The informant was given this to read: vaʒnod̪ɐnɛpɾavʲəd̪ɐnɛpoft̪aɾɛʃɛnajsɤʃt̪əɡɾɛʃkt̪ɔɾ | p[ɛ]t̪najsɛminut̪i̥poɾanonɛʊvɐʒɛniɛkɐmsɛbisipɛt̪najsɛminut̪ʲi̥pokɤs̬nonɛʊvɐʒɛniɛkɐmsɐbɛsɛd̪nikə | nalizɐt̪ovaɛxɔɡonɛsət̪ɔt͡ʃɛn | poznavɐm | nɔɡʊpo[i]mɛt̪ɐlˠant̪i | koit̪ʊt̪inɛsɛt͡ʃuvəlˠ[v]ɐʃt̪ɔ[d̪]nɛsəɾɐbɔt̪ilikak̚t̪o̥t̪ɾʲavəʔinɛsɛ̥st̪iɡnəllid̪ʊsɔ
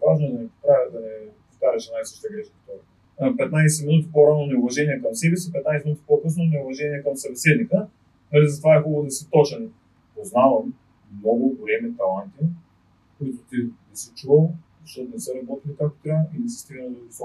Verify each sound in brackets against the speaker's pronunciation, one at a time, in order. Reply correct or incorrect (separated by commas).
correct, incorrect, incorrect, incorrect